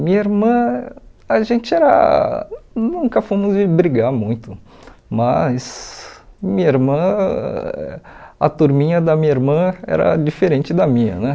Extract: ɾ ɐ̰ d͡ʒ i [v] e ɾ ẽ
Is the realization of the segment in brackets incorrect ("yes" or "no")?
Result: yes